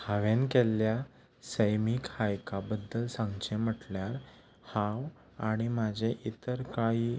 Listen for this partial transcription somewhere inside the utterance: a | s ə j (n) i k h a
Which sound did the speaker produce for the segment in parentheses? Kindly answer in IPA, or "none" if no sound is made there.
m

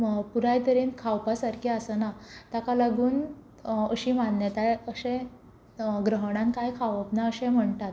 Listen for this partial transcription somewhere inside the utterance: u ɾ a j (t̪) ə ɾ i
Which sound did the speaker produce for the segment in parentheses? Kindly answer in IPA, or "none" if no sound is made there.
t̪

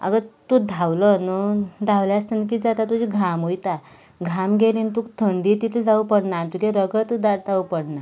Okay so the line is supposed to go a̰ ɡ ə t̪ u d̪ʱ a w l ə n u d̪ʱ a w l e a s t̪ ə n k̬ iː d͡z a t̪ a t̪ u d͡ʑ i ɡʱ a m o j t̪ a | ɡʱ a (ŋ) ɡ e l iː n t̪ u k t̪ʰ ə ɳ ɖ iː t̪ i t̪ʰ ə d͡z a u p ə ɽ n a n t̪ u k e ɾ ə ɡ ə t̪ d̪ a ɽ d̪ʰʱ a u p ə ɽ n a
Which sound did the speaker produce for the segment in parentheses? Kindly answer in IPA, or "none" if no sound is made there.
m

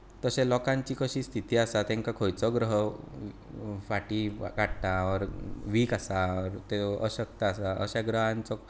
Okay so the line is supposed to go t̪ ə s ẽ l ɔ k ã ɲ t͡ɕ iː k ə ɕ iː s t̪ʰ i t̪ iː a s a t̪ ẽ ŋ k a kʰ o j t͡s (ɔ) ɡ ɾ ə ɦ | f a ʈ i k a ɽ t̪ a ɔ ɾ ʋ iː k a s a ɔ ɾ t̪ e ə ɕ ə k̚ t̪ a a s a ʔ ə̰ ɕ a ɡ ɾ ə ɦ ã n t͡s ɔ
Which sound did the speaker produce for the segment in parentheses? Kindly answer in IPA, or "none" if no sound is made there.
ɔ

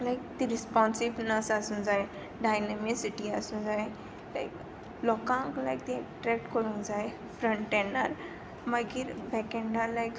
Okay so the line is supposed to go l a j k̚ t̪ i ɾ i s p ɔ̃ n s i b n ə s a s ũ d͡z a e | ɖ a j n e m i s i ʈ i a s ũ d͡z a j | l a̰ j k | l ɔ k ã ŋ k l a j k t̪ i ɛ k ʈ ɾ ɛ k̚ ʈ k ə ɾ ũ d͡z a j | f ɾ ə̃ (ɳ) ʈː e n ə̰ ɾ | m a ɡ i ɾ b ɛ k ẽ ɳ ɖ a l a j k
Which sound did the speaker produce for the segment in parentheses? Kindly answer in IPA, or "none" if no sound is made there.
ɳ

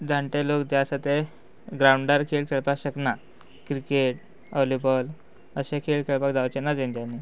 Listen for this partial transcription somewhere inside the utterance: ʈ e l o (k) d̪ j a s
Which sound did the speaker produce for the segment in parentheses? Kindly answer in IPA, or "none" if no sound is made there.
k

